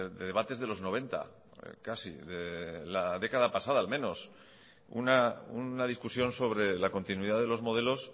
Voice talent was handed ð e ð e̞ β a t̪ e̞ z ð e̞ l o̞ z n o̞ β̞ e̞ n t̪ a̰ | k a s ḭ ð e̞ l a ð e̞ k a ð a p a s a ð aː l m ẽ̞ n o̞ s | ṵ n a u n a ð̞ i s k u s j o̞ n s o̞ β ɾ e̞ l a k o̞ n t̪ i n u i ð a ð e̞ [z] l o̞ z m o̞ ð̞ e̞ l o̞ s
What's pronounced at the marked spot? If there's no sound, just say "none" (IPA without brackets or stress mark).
none